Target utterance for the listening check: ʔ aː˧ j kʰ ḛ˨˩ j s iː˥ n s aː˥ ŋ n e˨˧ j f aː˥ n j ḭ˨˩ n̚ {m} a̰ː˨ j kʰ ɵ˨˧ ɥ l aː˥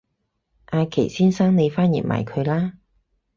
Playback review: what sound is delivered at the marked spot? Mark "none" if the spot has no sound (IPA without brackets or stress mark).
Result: m